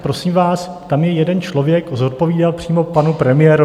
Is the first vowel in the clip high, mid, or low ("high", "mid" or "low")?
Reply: mid